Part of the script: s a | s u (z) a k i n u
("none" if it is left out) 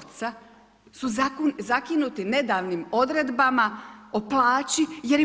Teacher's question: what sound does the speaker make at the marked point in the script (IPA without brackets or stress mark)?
z